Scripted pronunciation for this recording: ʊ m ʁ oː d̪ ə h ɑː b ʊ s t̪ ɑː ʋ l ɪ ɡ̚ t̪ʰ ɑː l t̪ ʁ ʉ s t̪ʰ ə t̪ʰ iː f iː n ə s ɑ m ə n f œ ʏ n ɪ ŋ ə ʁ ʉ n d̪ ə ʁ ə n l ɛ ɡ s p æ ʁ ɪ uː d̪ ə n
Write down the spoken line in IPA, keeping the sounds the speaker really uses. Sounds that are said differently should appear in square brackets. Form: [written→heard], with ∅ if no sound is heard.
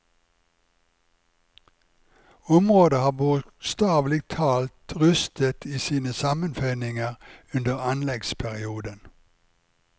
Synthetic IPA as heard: ʊ m ʁ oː d̪ ə h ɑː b ʊ s t̪ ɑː ʋ l ɪ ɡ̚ t̪ʰ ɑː l t̪ ʁ ʉ s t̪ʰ ə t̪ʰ iː [f→s] iː n ə s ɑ m ə n f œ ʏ n ɪ ŋ ə ʁ ʉ n d̪ ə ʁ [ə→ɑ] n l ɛ ɡ s [p→pʰ] æ ʁ ɪ uː d̪ ə n